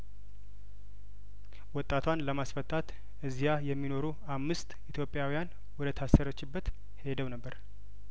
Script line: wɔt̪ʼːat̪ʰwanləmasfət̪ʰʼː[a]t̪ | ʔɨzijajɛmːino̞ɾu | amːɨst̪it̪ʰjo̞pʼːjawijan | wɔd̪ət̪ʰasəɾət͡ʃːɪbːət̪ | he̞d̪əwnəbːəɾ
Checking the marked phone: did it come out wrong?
no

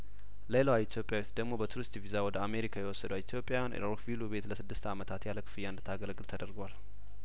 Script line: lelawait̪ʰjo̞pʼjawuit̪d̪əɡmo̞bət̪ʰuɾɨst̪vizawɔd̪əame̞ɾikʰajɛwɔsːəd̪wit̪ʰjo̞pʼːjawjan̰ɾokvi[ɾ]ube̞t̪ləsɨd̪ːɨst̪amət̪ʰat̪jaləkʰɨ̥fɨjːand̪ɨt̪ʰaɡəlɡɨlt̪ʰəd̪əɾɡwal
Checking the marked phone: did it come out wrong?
yes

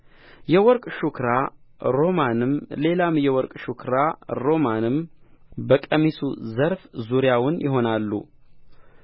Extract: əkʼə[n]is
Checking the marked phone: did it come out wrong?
yes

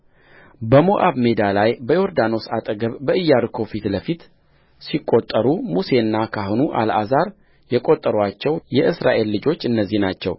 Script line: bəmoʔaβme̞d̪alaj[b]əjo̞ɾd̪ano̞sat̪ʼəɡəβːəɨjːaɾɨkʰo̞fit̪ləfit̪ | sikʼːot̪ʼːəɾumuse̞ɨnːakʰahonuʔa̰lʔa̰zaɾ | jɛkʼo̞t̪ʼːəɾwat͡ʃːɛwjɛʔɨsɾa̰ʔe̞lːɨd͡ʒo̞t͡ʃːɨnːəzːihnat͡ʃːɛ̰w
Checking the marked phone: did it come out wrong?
no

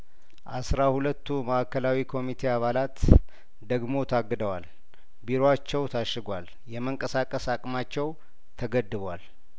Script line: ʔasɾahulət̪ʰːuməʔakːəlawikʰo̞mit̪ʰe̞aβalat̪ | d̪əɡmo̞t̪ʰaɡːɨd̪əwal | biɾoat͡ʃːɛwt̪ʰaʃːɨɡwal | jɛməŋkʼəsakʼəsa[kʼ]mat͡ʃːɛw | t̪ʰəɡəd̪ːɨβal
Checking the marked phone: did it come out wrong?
no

